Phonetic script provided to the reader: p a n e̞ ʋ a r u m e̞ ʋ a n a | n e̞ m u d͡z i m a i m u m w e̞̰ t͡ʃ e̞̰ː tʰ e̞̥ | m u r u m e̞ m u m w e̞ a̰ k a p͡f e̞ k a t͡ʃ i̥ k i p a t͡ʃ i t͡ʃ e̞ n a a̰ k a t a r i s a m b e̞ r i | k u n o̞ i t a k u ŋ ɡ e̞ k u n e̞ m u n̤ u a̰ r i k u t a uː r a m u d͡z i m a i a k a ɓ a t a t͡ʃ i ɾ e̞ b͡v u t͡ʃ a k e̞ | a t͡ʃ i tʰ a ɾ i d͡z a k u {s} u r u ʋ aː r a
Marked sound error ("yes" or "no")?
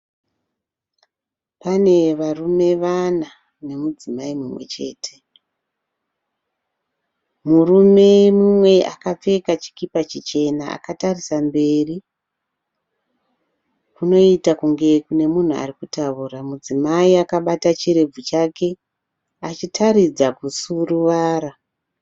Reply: no